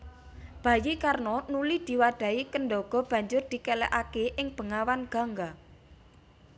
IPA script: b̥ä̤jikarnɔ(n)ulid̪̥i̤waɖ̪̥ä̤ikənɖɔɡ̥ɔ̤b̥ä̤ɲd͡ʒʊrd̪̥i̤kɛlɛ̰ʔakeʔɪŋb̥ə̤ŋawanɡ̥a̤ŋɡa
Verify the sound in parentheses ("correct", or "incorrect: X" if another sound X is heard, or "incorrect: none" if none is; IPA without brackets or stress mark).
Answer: correct